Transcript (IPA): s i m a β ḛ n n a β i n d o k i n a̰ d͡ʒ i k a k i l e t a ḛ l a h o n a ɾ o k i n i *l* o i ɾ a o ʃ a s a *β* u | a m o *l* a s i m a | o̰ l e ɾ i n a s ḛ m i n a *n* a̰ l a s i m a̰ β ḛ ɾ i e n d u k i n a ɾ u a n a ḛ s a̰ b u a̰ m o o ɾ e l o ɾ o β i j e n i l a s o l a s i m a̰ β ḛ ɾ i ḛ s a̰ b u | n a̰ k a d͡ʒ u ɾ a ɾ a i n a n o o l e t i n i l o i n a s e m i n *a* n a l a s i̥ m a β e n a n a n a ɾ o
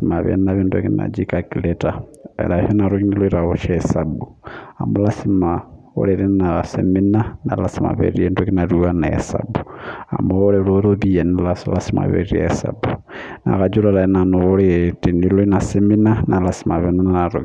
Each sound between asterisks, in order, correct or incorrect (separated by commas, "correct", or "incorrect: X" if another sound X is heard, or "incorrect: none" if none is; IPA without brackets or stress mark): correct, incorrect: b, correct, correct, correct